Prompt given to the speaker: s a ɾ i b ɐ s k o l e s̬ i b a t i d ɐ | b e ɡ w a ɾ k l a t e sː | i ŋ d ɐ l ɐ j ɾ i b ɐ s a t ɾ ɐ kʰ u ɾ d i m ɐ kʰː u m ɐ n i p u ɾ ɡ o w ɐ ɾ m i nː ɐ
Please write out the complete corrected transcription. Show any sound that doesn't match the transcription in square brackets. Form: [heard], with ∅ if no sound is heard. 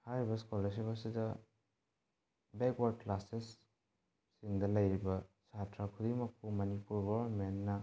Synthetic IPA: [h] a ɾ i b ɐ s k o l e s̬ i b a [s] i d ɐ | b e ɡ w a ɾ k l a [s] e sː | i ŋ d ɐ l ɐ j ɾ i b ɐ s a t ɾ [a] kʰ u [∅] d i m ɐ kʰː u m ɐ n i p u ɾ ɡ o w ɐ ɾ m [e] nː ɐ